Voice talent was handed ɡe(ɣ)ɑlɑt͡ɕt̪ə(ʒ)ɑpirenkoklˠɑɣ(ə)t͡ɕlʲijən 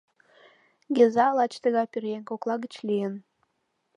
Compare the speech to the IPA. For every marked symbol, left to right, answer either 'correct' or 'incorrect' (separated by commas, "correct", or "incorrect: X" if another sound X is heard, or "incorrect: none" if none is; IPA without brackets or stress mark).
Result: incorrect: z, incorrect: ɣ, correct